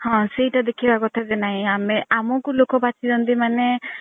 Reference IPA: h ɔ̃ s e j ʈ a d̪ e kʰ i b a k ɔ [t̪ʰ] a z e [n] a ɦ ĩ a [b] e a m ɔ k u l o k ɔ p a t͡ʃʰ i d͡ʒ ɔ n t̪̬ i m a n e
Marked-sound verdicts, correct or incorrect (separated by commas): correct, correct, incorrect